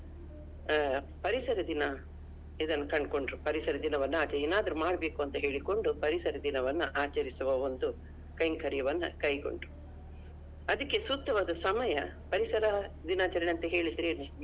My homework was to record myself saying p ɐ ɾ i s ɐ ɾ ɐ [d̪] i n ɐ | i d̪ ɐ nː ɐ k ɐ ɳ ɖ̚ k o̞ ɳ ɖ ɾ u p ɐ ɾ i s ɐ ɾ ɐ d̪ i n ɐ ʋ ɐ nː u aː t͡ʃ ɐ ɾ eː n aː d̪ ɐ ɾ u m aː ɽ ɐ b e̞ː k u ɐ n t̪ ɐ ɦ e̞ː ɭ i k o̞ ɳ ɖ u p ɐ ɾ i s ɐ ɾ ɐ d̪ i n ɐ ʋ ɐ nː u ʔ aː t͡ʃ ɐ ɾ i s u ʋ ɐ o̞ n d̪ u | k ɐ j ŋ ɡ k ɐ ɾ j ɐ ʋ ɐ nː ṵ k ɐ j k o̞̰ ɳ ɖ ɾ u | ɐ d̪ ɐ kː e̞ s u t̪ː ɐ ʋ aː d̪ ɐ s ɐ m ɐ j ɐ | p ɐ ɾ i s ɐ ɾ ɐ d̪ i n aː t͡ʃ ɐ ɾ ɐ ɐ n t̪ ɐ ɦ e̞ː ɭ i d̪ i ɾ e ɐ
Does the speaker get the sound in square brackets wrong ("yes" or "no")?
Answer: no